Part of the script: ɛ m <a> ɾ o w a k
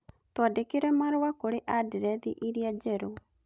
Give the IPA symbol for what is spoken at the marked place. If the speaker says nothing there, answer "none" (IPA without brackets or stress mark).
a